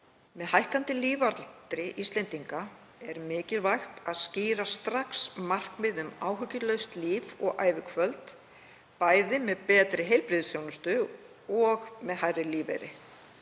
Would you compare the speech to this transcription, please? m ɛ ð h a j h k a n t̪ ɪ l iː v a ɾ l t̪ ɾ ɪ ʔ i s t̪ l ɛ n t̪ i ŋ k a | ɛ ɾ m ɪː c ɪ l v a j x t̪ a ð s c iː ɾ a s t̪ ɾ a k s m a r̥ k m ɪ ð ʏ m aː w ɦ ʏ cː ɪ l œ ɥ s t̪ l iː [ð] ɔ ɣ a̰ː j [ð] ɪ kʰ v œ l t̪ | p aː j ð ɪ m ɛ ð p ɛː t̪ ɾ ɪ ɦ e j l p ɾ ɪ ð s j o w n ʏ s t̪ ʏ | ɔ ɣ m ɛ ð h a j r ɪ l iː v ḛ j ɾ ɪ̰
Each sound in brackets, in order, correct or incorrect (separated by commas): incorrect, incorrect